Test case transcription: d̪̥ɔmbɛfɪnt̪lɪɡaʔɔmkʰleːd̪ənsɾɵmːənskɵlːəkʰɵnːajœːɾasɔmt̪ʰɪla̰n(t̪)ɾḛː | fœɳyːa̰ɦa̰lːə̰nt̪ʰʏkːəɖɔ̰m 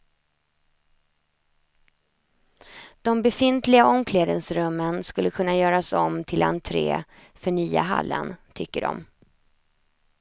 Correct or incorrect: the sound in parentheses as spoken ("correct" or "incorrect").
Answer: incorrect